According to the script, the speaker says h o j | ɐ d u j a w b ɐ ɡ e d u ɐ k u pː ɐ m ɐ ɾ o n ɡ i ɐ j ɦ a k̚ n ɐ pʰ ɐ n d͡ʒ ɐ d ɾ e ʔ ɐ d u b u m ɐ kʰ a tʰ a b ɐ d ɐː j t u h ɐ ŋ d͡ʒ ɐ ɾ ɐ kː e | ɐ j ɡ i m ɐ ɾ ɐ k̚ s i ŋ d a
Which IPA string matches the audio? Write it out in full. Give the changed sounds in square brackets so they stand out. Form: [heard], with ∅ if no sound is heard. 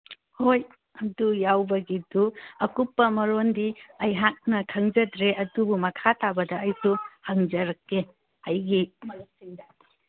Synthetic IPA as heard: h o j | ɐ d u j a w b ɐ ɡ [i] d u ɐ k u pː ɐ m ɐ ɾ o n [d] i ɐ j ɦ a k̚ n ɐ [kʰ] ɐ [ŋ] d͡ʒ ɐ d ɾ e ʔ ɐ d u b u m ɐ kʰ a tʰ a b ɐ d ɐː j [s] u h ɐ ŋ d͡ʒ ɐ ɾ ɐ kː e | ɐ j ɡ i m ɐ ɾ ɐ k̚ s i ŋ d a